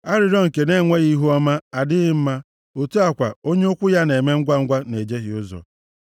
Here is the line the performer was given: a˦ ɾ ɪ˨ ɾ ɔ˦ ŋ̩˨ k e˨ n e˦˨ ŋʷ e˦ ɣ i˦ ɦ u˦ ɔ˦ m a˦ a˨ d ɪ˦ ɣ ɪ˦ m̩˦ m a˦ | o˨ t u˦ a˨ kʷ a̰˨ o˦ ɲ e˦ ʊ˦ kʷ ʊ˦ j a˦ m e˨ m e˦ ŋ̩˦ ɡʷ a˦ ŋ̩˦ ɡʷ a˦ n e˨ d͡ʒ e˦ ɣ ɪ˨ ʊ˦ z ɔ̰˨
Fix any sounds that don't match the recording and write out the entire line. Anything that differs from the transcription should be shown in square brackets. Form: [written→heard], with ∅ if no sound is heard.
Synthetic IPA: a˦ ɾ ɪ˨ ɾ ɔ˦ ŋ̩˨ k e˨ n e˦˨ ŋʷ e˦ ɣ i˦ ɦ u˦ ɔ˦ m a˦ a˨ d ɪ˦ ɣ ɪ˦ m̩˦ m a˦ | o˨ t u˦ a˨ kʷ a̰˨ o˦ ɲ e˦ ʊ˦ kʷ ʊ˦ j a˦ [m→n] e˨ m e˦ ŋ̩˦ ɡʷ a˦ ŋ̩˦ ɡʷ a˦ n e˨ d͡ʒ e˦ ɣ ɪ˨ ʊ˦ z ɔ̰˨